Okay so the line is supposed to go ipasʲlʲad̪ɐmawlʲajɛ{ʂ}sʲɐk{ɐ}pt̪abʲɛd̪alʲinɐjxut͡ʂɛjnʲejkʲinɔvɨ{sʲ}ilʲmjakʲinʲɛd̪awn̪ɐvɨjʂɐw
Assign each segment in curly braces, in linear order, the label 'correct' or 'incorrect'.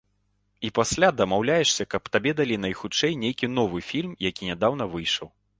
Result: correct, correct, incorrect: fʲ

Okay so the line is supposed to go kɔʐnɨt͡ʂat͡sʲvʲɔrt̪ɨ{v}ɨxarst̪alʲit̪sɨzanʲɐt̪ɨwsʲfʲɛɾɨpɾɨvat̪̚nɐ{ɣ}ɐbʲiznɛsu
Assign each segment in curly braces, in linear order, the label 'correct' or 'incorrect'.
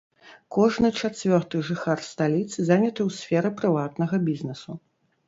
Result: incorrect: ʐ, correct

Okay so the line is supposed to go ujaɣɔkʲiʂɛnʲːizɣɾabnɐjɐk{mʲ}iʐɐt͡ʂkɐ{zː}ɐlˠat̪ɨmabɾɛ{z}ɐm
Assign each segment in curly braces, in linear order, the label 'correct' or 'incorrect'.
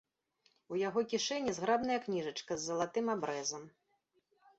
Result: incorrect: nʲ, correct, correct

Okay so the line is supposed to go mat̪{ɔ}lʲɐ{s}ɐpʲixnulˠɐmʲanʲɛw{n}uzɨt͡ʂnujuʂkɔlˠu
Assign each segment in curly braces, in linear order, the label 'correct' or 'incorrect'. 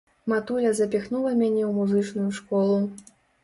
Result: incorrect: u, incorrect: z, incorrect: m

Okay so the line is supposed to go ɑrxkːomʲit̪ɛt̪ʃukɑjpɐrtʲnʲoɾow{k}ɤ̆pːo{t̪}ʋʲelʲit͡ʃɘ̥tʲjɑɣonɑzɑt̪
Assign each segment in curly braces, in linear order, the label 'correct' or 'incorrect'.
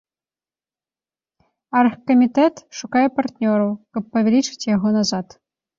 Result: correct, incorrect: none

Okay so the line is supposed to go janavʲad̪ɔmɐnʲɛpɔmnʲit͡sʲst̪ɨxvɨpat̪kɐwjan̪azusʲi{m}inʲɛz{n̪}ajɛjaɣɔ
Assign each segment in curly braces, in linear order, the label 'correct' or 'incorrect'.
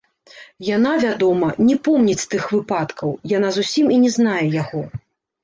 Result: correct, correct

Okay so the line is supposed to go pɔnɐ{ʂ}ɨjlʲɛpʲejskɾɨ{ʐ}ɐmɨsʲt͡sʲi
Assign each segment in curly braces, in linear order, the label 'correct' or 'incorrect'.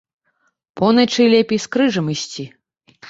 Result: incorrect: t͡ʂ, correct

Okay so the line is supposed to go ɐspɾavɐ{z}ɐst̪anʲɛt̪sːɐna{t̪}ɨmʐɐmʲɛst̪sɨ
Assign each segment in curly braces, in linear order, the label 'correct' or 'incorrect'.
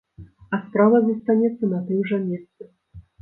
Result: correct, correct

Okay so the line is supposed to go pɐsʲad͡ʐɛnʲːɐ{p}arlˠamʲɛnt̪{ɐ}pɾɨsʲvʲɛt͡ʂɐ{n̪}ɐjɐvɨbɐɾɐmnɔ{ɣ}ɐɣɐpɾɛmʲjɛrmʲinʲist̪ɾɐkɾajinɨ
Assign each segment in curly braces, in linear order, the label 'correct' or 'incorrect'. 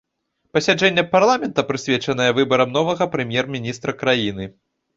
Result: correct, correct, correct, incorrect: v

